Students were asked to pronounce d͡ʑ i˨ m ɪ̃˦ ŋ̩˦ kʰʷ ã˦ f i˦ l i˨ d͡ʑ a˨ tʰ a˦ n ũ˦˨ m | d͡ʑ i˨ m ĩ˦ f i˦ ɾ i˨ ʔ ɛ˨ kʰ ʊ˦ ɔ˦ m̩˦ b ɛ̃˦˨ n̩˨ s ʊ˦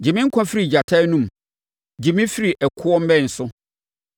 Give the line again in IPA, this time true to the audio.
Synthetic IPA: d͡ʑ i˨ m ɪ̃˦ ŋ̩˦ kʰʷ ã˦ f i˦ ɾ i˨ d͡ʑ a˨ tʰ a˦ n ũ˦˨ m | d͡ʑ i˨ m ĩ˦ f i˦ ɾ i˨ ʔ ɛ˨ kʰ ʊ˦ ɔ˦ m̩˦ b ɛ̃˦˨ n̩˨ s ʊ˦